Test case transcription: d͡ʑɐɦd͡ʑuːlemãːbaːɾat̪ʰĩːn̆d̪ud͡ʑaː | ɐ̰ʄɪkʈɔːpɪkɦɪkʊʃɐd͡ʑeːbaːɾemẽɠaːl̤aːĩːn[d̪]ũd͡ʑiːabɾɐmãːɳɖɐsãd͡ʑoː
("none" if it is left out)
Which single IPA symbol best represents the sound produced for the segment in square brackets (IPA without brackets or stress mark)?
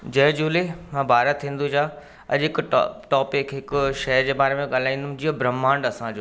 d̪